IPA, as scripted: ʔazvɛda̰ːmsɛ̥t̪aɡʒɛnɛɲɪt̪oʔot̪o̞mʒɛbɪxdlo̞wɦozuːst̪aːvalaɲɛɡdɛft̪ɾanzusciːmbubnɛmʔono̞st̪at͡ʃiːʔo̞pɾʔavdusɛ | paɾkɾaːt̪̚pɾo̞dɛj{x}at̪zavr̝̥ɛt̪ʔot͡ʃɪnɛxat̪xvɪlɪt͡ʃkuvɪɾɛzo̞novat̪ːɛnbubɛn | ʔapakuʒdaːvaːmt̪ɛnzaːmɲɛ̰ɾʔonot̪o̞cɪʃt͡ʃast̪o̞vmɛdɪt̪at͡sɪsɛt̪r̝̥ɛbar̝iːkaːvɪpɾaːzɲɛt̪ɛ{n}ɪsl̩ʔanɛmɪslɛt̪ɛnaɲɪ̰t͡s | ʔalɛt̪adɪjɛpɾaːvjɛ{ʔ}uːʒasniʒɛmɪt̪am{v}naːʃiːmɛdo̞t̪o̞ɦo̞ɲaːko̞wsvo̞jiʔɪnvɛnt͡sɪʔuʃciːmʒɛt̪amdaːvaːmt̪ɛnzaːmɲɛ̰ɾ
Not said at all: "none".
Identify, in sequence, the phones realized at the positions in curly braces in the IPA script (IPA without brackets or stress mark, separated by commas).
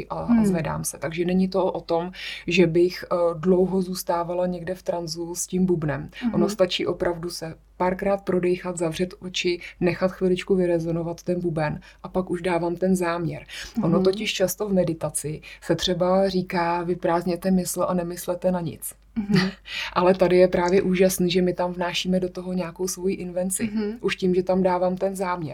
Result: x, m, ʔ, v